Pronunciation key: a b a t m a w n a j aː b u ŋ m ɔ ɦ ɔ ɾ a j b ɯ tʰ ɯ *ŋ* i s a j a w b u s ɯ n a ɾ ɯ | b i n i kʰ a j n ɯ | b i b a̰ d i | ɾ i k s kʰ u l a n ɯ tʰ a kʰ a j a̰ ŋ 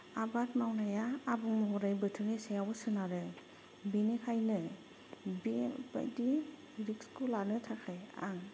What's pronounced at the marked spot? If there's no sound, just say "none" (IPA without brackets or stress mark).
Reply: n